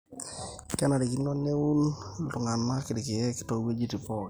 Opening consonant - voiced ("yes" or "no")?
no